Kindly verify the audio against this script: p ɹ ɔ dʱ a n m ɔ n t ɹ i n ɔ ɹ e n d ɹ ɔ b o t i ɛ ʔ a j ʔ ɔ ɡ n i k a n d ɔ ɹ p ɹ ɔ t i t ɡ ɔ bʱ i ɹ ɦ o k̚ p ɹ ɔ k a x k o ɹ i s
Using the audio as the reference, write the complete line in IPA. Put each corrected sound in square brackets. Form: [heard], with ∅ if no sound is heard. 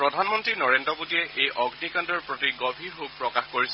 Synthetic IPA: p ɹ ɔ dʱ a n m ɔ n t ɹ i n ɔ ɹ e n d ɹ ɔ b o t i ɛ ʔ [e] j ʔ ɔ ɡ n i k a n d ɔ ɹ p ɹ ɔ t i [∅] ɡ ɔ bʱ i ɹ ɦ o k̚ p ɹ ɔ k a x k o ɹ i s